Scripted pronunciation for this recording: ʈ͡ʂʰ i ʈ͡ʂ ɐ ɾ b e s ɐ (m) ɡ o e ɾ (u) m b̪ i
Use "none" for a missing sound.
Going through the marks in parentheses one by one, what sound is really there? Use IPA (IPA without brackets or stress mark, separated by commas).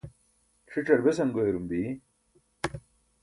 ŋ, u